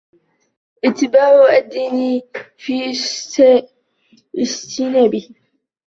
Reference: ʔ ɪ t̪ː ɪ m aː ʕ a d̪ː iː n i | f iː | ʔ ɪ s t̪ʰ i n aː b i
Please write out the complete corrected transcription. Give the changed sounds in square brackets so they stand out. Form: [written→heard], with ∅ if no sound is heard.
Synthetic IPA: ʔ ɪ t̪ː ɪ [m→b] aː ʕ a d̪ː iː n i | f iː | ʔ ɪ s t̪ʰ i n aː b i